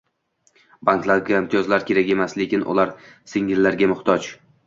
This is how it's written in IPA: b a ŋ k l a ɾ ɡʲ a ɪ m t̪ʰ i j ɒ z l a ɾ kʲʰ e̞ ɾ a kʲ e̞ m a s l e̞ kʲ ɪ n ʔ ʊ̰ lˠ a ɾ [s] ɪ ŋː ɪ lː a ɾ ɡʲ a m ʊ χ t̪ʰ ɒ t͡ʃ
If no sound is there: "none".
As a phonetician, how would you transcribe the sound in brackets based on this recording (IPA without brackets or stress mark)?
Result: s